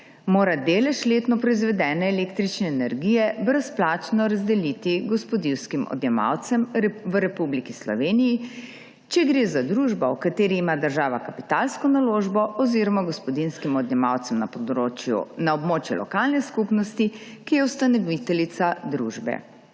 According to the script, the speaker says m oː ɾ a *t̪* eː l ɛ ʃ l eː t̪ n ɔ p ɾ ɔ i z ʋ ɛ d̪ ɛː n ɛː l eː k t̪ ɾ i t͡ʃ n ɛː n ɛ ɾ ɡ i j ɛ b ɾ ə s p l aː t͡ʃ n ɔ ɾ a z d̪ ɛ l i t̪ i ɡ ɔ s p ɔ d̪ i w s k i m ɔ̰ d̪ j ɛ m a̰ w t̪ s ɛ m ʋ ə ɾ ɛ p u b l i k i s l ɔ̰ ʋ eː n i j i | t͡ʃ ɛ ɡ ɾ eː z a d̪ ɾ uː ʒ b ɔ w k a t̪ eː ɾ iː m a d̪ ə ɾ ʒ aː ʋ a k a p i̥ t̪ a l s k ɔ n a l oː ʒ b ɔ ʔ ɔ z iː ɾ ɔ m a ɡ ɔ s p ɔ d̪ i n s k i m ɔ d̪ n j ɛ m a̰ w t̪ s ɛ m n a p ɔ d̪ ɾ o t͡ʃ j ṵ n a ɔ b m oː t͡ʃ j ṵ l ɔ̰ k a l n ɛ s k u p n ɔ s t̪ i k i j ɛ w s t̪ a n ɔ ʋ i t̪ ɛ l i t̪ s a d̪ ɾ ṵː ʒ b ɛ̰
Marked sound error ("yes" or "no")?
yes